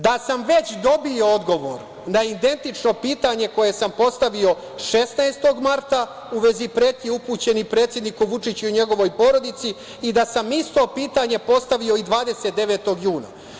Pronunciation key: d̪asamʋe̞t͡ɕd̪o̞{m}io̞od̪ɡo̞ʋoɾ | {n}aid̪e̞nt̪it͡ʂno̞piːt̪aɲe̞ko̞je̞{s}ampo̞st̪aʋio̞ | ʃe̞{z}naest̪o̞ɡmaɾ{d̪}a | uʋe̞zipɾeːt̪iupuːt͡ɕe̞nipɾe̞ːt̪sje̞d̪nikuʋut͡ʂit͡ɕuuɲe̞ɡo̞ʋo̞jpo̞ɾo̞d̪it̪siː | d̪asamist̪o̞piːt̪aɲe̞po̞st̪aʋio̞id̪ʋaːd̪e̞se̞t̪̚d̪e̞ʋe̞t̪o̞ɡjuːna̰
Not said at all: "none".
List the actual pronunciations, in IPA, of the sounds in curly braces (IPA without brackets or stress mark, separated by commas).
b, n, s, s, t̪